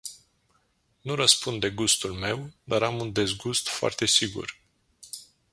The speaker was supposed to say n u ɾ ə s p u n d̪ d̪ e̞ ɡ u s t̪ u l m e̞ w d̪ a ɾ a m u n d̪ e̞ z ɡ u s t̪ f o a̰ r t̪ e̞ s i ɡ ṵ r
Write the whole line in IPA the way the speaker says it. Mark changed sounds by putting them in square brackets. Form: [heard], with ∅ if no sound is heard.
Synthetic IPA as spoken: n u ɾ ə s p u n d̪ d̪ e̞ ɡ u s t̪ u l m e̞ w d̪ a ɾ a m u n d̪ e̞ z ɡ u s t̪ f o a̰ r t̪ e̞ s i ɡ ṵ r

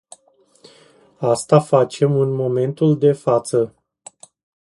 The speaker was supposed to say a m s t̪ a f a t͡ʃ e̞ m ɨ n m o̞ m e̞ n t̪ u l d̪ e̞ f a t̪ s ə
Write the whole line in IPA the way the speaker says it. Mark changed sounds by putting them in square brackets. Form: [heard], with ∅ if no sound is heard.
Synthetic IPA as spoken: a [∅] s t̪ a f a t͡ʃ e̞ m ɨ n m o̞ m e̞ n t̪ u l d̪ e̞ f a t̪ s ə

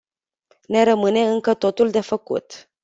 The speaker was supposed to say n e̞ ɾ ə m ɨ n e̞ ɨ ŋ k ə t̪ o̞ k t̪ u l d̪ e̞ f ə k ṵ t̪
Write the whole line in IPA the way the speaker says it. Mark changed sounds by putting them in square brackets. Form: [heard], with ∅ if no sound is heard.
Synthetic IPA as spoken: n e̞ ɾ ə m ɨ n e̞ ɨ ŋ k ə t̪ o̞ [∅] t̪ u l d̪ e̞ f ə k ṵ t̪

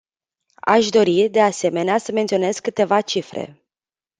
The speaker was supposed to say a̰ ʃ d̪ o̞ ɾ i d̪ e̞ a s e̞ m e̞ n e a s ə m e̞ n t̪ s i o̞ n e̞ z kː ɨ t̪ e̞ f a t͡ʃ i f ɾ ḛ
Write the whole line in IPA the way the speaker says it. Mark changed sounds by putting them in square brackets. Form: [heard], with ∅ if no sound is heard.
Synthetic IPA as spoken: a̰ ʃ d̪ o̞ ɾ i d̪ e̞ a s e̞ m e̞ n e a s ə m e̞ n t̪ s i o̞ n e̞ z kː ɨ t̪ e̞ [v] a t͡ʃ i f ɾ ḛ

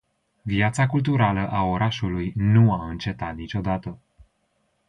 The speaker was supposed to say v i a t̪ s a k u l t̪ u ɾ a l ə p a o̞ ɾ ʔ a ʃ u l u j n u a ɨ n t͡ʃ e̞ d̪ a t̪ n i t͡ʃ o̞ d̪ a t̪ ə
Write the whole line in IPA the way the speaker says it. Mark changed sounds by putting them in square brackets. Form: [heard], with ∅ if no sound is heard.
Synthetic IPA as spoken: v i a t̪ s a k u l t̪ u ɾ a l ə [ʔ] a o̞ ɾ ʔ a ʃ u l u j n u a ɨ n t͡ʃ e̞ [t̪] a t̪ n i t͡ʃ o̞ d̪ a t̪ ə

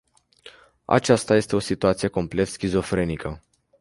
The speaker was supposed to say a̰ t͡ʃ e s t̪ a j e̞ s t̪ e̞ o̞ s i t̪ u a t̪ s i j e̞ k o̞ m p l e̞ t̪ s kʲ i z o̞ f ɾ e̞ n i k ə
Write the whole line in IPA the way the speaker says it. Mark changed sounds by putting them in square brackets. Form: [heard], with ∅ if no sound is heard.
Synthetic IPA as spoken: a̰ t͡ʃ [a] s t̪ a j e̞ s t̪ e̞ o̞ s i t̪ u a t̪ s i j e̞ k o̞ m p l e̞ t̪ s kʲ i z o̞ f ɾ e̞ n i k ə

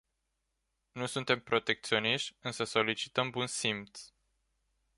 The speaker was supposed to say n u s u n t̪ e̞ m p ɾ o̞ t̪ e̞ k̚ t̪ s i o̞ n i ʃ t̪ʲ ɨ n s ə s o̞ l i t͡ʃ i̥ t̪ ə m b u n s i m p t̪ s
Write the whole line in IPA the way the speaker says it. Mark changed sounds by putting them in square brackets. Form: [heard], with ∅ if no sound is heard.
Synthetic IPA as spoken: n u s u n t̪ e̞ m p ɾ o̞ t̪ e̞ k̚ t̪ s i o̞ n i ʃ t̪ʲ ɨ n s ə s o̞ l i t͡ʃ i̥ t̪ ə m b u n s i m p t̪ s

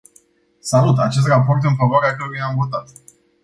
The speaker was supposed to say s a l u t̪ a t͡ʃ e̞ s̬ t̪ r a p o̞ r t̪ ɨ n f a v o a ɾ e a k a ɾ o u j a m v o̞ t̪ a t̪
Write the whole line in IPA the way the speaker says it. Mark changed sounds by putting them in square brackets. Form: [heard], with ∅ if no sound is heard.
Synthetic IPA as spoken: s a l u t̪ a t͡ʃ e̞ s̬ t̪ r a p o̞ r t̪ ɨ n f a v o a ɾ e a k [ə] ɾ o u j a m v o̞ t̪ a t̪

